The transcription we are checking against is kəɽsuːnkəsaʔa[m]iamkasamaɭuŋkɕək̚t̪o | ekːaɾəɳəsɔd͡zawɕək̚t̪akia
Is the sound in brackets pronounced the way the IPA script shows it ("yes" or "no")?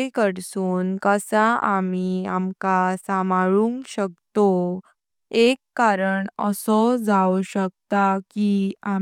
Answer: yes